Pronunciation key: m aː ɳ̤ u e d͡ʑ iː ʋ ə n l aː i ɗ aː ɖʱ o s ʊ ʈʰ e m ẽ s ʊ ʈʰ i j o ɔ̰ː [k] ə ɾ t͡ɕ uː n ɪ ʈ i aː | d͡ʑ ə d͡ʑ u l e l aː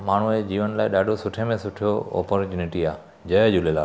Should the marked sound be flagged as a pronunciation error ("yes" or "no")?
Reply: yes